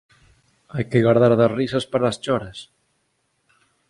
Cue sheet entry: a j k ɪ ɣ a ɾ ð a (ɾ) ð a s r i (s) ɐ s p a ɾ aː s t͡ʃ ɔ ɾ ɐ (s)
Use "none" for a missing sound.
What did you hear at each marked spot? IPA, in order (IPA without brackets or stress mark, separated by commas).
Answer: ɾ, s, s